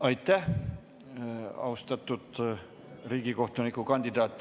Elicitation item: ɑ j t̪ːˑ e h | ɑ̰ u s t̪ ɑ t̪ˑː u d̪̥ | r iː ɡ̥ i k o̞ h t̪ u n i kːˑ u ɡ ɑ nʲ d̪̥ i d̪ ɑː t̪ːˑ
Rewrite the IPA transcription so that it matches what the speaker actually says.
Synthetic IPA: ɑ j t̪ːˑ æ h | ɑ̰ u s t̪ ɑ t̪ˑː u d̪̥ | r iː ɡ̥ i k o̞ h t̪ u n i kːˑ u k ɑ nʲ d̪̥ i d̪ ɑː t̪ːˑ